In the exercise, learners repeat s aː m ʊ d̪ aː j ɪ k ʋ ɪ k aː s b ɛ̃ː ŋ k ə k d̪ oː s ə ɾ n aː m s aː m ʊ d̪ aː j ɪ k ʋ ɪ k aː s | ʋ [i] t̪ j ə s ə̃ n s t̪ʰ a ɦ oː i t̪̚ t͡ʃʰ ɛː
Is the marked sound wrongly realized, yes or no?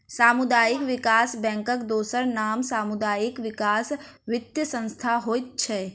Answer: yes